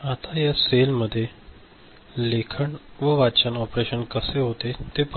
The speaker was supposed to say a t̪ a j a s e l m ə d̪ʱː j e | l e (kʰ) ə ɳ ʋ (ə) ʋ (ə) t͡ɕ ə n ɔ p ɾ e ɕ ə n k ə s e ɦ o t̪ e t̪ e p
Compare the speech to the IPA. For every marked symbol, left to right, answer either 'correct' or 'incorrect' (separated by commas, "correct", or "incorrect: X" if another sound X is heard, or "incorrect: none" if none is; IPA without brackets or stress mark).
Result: correct, correct, incorrect: a